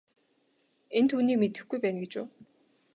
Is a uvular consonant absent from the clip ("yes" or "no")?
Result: yes